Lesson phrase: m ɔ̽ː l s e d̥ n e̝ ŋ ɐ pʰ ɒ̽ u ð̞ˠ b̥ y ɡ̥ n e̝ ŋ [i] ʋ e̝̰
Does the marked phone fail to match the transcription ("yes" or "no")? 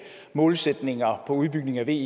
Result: yes